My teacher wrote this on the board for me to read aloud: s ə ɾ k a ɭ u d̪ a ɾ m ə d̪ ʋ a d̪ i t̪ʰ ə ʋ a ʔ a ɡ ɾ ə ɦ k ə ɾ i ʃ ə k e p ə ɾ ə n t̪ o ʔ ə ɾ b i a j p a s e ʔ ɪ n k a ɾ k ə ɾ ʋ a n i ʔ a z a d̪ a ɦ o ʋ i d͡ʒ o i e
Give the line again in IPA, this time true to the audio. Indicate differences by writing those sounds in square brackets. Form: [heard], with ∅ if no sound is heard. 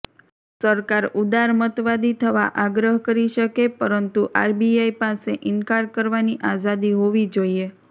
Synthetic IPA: s ə ɾ k a [ɾ] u d̪ a ɾ m ə [t̪] ʋ a d̪ i t̪ʰ ə ʋ a ʔ a ɡ ɾ ə ɦ k ə ɾ i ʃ ə k e p ə ɾ ə n t̪ [u] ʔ [a] ɾ b i a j p a s e ʔ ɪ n k a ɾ k ə ɾ ʋ a n i ʔ a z a d̪ [i] ɦ o ʋ i d͡ʒ o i e

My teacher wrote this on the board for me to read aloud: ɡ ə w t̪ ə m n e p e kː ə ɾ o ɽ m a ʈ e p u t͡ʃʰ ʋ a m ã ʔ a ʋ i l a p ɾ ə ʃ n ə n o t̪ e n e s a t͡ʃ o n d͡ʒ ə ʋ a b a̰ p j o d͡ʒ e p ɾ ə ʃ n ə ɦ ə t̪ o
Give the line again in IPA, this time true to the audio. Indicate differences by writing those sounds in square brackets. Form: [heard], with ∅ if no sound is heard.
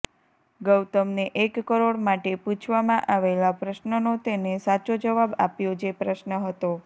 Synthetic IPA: ɡ ə w t̪ ə m n e [ʔ] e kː ə ɾ o ɽ m a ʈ e p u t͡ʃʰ ʋ a m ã ʔ a ʋ [e] l a p ɾ ə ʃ n ə n o t̪ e n e s a t͡ʃ o [∅] d͡ʒ ə ʋ a b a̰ p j o d͡ʒ e p ɾ ə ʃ n ə ɦ ə t̪ o

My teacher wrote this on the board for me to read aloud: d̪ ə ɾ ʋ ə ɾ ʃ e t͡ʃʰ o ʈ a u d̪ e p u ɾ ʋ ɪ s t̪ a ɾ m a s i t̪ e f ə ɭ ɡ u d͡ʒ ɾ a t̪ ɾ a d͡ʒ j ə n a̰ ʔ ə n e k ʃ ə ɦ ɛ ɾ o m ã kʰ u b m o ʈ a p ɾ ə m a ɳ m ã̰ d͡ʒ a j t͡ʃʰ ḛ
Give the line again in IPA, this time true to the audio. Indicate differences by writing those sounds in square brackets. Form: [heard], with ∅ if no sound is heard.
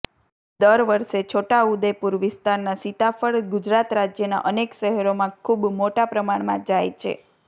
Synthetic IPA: d̪ ə ɾ ʋ ə ɾ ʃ e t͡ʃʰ o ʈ a u d̪ e p u ɾ ʋ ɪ s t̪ a ɾ [n] a s i t̪ [a] f ə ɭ ɡ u d͡ʒ ɾ a t̪ ɾ a d͡ʒ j ə n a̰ ʔ ə n e k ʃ ə ɦ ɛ ɾ o m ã kʰ u b m o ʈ a p ɾ ə m a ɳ m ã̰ d͡ʒ a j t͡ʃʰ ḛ

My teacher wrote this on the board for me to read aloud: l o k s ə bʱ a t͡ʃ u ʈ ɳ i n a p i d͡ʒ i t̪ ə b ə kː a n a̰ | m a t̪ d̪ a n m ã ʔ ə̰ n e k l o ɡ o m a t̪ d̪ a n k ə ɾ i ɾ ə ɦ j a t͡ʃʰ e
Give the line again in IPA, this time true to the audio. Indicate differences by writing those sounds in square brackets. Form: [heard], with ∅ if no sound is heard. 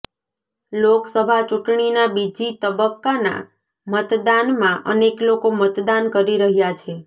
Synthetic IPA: l o k s ə bʱ a t͡ʃ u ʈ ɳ i n a [b] i d͡ʒ i t̪ ə b ə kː a n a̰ | m [ə] t̪ d̪ a n m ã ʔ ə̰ n e k l o [k] o m [ə] t̪ d̪ a n k ə ɾ i ɾ ə ɦ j a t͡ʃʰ e

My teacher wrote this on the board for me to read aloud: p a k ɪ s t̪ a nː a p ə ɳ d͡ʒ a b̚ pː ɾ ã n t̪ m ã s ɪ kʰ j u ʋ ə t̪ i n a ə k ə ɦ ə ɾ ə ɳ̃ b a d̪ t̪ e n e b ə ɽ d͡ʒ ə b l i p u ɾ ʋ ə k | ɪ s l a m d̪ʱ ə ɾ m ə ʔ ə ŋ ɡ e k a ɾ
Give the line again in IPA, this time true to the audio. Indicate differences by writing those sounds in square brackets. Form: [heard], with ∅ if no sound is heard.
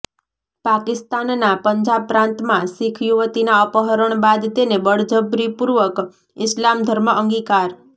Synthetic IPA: p a k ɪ s t̪ a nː a p ə [ɲ] d͡ʒ a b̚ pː ɾ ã n t̪ m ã s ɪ kʰ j u ʋ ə t̪ i n a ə [p] ə ɦ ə ɾ ə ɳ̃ b a d̪ t̪ e n e b ə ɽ d͡ʒ ə b [ɾ] i p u ɾ ʋ ə k | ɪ s l a m d̪ʱ ə ɾ m ə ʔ ə ŋ ɡ [i] k a ɾ

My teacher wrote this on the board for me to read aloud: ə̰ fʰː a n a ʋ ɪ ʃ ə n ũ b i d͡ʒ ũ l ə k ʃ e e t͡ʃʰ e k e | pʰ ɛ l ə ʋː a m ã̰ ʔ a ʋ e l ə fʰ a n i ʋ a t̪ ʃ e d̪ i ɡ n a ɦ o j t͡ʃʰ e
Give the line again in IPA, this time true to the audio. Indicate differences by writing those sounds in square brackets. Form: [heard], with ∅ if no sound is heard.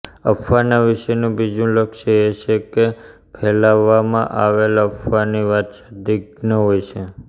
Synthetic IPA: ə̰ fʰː a n a ʋ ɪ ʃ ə n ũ b i d͡ʒ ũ l ə k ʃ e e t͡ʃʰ e k e | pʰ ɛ l [a] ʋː a m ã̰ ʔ a ʋ e l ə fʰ a n i ʋ a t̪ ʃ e d̪ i ɡ n [ə] ɦ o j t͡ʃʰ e

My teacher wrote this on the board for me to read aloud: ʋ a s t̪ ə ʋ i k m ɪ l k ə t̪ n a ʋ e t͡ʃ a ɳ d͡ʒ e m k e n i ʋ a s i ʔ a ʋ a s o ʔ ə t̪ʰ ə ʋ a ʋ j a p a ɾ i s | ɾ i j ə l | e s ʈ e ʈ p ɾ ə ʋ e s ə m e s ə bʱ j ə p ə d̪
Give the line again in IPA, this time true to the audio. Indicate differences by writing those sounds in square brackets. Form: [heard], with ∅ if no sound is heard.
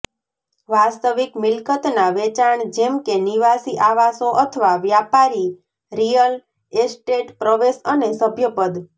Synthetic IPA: ʋ a s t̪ ə ʋ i k m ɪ l k ə t̪ n a ʋ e t͡ʃ a ɳ d͡ʒ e m k e n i ʋ a s i ʔ a ʋ a s o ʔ ə t̪ʰ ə ʋ a ʋ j a p a ɾ i [∅] | ɾ i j ə l | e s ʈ e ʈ p ɾ ə ʋ e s ə [n] e s ə bʱ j ə p ə d̪

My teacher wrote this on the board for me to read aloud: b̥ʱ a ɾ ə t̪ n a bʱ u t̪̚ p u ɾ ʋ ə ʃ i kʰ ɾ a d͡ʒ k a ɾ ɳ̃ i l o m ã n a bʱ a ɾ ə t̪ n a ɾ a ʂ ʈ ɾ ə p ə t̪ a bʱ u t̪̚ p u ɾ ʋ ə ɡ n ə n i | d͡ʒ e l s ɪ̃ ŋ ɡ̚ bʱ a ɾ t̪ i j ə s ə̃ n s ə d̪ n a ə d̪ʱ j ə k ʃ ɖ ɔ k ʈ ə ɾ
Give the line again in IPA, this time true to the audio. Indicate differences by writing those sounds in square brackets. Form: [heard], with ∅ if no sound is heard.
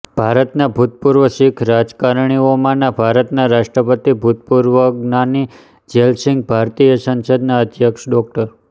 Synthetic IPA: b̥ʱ a ɾ ə t̪ n a bʱ u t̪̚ p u ɾ ʋ ə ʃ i kʰ ɾ a d͡ʒ k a ɾ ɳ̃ i [∅] o m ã n a bʱ a ɾ ə t̪ n a ɾ a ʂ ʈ ɾ ə p ə t̪ [i] bʱ u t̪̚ p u ɾ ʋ ə ɡ n [a] n i | d͡ʒ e l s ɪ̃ ŋ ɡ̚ bʱ a ɾ t̪ i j ə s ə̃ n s ə d̪ n a ə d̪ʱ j ə k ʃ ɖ ɔ k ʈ ə ɾ

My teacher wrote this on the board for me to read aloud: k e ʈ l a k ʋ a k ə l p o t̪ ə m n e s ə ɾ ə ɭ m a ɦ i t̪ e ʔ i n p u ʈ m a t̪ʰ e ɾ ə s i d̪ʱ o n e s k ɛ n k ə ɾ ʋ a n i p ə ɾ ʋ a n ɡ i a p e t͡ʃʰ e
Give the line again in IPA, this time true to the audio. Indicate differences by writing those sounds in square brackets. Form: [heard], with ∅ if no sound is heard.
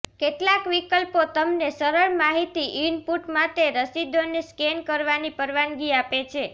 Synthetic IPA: k e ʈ l a k ʋ [i] k ə l p o t̪ ə m n e s ə ɾ ə ɭ m a ɦ i t̪ [i] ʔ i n p u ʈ m a [t̪] e ɾ ə s i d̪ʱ o n e s k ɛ n k ə ɾ ʋ a n i p ə ɾ ʋ a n ɡ i a p e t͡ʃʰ e

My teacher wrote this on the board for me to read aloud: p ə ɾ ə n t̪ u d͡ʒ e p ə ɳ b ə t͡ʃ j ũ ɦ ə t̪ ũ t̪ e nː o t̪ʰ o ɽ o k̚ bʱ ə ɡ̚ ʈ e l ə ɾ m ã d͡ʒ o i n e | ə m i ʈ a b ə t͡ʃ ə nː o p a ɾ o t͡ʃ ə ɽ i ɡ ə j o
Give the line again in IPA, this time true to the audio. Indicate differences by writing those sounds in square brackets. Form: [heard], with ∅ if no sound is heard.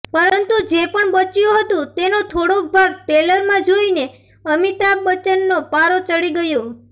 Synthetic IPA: p ə ɾ ə n t̪ u d͡ʒ e p ə ɳ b ə t͡ʃ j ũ ɦ ə t̪ ũ t̪ e [n] o t̪ʰ o ɽ o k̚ bʱ [a] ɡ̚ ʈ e l ə ɾ m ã d͡ʒ o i n e | ə m i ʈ a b ə t͡ʃ ə nː o p a ɾ o t͡ʃ ə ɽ i ɡ ə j o

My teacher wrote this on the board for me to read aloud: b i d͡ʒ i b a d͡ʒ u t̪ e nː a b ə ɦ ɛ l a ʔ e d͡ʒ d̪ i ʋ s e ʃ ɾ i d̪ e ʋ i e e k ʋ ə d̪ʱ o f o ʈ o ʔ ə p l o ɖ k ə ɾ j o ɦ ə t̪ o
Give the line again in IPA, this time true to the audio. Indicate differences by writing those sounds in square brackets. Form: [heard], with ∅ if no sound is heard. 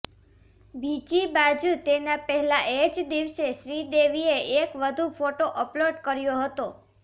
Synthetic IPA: b i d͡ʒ i b a d͡ʒ u t̪ e [n] a [p] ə ɦ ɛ l a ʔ e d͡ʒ d̪ i ʋ s e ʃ ɾ i d̪ e ʋ i e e k ʋ ə d̪ʱ [u] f o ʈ o ʔ ə p l o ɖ k ə ɾ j o ɦ ə t̪ o

